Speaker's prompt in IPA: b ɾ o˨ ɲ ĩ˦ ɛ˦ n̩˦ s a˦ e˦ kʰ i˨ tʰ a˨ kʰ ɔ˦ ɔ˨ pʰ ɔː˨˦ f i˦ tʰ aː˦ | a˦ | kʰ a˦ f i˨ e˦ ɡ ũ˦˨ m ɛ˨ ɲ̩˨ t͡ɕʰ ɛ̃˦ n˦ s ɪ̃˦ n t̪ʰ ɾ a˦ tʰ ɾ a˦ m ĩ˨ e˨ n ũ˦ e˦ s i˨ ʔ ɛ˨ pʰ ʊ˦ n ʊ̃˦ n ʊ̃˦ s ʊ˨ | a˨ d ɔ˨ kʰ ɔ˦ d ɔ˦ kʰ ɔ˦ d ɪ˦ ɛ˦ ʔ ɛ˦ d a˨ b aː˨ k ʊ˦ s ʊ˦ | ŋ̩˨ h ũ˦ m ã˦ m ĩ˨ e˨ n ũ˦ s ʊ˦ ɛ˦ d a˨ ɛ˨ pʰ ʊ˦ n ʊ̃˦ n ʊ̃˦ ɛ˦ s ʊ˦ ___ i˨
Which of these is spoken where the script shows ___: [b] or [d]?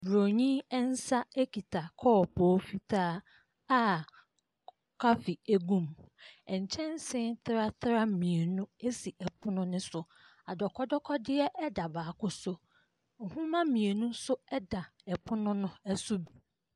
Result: b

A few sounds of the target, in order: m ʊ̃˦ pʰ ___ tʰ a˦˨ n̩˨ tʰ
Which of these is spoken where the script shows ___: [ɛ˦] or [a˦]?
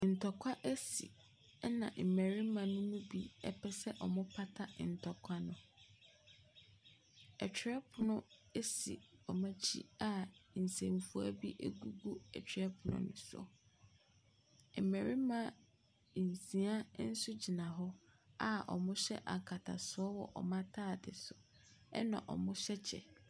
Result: a˦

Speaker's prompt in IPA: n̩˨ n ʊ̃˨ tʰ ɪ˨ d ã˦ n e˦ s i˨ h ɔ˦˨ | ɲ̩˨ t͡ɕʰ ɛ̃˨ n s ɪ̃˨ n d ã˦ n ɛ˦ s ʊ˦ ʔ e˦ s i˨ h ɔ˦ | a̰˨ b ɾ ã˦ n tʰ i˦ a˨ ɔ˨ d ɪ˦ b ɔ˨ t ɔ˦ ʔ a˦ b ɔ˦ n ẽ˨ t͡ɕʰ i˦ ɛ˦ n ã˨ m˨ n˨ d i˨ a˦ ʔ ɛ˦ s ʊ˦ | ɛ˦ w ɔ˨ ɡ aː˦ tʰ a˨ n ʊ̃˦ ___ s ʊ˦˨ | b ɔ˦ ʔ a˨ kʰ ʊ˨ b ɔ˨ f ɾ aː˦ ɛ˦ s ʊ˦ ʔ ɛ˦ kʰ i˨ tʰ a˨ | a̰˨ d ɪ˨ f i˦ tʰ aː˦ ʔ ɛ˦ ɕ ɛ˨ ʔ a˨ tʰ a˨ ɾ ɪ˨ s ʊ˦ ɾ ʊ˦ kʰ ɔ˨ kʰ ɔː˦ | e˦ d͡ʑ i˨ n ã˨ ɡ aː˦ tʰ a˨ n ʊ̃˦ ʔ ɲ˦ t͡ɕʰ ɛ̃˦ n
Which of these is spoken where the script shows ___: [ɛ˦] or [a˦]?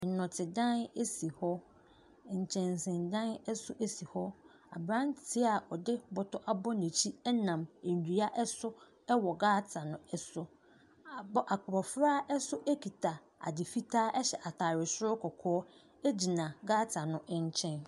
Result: ɛ˦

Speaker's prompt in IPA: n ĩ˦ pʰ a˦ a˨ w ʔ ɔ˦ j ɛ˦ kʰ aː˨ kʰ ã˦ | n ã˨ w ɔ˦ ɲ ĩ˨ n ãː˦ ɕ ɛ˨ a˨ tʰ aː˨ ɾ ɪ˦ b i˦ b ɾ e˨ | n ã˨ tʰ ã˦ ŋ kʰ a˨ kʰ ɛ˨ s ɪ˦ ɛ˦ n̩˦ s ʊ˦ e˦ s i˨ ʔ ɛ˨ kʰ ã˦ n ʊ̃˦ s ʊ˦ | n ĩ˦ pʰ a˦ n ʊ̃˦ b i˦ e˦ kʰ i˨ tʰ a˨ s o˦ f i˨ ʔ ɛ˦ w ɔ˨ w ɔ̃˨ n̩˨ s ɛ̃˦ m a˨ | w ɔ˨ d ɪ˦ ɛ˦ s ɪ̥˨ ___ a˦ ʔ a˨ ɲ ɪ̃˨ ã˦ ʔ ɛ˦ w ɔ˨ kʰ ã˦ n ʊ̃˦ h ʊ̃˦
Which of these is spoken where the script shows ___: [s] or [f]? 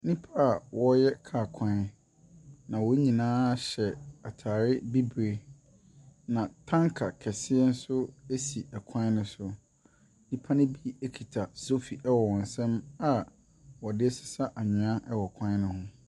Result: s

